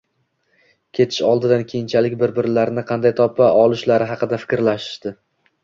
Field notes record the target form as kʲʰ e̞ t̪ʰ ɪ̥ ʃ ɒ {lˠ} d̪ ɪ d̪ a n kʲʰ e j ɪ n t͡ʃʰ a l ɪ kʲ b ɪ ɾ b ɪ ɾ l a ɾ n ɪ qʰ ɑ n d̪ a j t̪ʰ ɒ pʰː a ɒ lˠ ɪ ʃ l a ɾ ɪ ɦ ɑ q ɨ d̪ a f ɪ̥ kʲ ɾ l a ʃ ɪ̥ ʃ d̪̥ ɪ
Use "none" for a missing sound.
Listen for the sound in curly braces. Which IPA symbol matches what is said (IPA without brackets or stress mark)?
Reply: lˠ